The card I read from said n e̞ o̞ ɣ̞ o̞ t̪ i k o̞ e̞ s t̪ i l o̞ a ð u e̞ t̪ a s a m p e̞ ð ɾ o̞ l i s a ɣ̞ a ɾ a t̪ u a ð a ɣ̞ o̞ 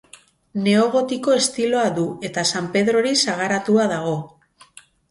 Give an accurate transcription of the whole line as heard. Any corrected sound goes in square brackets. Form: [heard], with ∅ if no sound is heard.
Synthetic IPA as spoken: n e̞ o̞ ɣ̞ o̞ t̪ i k o̞ e̞ s t̪ i l o̞ a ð u e̞ t̪ a s a m p e̞ ð ɾ o̞ [ɾ] i s a ɣ̞ a ɾ a t̪ u a ð a ɣ̞ o̞